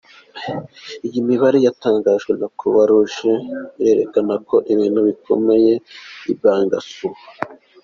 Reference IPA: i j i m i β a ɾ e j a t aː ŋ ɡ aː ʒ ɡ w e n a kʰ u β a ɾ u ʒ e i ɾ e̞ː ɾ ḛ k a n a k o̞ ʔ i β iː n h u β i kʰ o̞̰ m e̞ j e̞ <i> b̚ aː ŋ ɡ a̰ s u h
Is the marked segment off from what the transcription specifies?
no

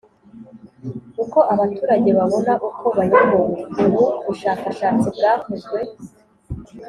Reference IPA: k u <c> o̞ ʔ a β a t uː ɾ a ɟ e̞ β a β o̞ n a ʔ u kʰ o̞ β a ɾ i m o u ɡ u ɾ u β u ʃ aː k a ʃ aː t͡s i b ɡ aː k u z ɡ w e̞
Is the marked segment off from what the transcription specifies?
yes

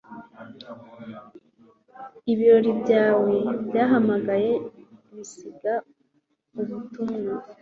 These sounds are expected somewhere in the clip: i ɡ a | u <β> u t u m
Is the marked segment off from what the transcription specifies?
no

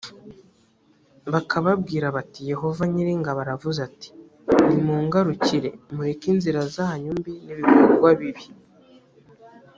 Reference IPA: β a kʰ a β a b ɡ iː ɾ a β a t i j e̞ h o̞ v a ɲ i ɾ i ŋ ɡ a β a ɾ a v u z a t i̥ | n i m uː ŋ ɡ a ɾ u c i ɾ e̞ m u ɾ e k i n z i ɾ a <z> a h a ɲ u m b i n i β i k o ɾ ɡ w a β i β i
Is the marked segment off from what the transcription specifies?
no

